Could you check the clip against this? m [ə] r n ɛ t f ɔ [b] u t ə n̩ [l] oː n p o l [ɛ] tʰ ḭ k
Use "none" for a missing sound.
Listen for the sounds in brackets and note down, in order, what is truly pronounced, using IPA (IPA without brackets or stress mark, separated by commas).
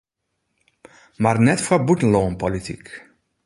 a, b, l, i